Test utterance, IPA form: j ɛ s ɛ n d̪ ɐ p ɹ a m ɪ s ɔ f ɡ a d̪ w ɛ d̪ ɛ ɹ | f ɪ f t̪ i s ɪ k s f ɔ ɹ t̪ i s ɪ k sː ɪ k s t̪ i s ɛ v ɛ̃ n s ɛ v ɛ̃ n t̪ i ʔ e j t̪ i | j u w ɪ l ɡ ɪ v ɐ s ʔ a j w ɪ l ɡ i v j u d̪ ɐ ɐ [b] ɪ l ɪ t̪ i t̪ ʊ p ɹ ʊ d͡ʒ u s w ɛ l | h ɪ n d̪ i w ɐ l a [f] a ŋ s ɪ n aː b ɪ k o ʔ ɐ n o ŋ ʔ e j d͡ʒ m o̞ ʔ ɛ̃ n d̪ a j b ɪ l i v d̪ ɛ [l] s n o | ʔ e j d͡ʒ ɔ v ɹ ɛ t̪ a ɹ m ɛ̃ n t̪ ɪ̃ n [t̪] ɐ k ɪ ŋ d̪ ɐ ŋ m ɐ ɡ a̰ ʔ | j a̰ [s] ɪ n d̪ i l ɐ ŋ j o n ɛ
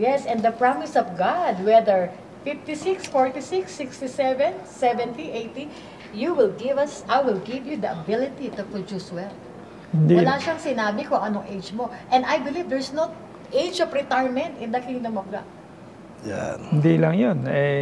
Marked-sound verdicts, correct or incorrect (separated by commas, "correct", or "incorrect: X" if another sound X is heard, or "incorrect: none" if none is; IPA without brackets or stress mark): correct, incorrect: ʃ, incorrect: ɹ, incorrect: d̪, incorrect: h